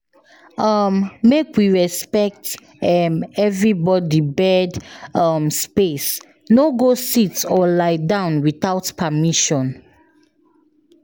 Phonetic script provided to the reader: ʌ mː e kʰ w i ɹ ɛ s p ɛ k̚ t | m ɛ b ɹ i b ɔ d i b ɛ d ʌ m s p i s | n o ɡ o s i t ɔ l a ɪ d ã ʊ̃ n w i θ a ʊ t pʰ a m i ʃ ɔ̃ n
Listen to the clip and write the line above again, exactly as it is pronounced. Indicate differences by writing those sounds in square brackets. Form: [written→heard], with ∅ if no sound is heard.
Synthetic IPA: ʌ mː e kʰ w i ɹ ɛ s p ɛ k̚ t | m ɛ [b→v] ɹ i b ɔ d i b ɛ d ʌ m s p [i→e] s | n o ɡ o s i t ɔ l a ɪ d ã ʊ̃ n w i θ a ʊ t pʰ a m i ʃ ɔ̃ n